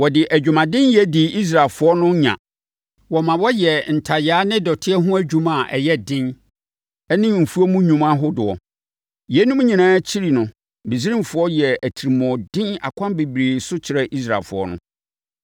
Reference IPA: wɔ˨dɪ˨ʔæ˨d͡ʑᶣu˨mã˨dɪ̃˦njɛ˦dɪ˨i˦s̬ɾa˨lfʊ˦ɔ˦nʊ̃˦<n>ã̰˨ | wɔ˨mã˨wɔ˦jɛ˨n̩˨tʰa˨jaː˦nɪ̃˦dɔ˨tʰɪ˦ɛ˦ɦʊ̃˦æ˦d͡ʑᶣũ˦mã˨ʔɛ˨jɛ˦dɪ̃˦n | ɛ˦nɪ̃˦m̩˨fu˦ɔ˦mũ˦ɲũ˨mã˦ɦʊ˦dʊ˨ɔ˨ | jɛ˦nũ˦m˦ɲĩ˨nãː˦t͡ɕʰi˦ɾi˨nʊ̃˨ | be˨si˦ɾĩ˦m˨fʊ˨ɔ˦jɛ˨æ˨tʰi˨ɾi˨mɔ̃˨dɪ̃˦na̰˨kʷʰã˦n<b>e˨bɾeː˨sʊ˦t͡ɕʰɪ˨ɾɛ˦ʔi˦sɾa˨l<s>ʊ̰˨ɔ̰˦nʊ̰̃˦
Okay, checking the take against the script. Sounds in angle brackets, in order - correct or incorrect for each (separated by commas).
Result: incorrect, correct, incorrect